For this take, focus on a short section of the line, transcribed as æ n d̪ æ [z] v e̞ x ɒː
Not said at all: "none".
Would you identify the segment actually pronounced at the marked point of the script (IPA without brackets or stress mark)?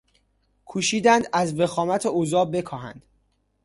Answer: z